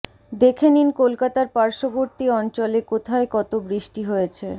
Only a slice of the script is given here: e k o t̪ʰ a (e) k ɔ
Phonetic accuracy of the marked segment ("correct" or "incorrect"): correct